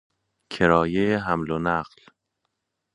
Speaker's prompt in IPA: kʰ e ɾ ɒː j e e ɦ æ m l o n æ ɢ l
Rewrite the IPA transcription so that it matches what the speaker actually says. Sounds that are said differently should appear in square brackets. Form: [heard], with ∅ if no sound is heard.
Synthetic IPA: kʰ e ɾ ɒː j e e ɦ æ m l o n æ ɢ l